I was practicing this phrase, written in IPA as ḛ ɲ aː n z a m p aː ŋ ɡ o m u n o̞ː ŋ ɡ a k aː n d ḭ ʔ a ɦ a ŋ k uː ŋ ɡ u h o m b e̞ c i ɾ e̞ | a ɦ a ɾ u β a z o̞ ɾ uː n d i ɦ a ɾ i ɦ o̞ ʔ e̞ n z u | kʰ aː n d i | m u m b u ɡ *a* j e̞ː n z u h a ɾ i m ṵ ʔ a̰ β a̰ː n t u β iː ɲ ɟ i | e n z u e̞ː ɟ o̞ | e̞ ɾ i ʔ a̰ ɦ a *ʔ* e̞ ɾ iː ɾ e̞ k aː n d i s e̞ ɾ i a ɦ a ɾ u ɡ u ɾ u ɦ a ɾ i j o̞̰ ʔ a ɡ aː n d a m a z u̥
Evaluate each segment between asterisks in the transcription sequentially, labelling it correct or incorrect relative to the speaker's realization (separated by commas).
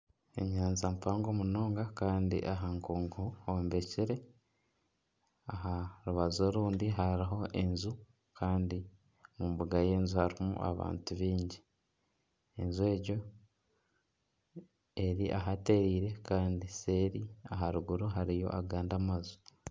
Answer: correct, incorrect